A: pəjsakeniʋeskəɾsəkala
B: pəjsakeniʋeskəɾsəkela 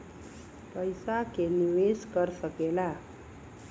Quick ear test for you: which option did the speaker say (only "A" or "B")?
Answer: B